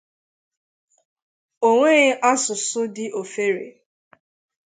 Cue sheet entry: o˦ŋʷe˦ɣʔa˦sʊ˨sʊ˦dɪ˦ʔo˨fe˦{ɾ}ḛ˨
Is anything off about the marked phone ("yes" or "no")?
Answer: no